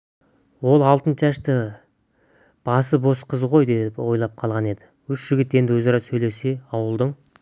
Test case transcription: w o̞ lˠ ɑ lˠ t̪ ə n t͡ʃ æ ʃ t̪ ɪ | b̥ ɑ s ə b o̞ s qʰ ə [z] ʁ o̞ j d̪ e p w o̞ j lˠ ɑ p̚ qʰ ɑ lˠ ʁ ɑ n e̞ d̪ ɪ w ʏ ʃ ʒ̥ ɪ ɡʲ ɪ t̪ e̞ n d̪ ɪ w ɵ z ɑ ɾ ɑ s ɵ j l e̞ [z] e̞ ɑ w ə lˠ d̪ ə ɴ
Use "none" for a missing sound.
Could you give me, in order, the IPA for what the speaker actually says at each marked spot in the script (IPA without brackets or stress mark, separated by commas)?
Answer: z, s